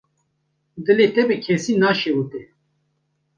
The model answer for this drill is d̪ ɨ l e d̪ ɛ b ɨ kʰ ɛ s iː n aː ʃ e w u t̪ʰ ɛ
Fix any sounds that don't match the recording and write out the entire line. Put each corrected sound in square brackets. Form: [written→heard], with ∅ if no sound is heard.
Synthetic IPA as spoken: d̪ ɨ l e [d̪→t̪] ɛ b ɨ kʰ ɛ s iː n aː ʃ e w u [t̪ʰ→t̪] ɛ